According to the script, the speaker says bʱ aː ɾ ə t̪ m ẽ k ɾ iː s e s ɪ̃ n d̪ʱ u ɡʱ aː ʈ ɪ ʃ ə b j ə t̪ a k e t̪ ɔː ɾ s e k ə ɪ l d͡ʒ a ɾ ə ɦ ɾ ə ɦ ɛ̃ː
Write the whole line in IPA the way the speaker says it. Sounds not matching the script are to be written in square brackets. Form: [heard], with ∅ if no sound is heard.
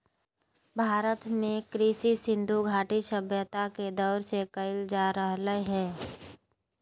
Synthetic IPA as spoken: bʱ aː ɾ ə t̪ m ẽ k ɾ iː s [i] s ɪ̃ n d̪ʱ u ɡʱ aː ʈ [i] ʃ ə b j ə t̪ a k e [d̪] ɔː ɾ s e k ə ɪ l d͡ʒ a ɾ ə ɦ [l] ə ɦ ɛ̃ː